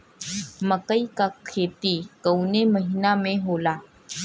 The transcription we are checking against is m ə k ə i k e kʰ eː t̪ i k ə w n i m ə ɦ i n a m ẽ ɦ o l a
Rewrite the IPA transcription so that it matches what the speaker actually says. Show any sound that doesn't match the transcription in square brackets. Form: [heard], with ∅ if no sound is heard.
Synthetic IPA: m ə k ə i k [a] kʰ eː t̪ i k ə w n [e] m ə ɦ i n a m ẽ ɦ o l a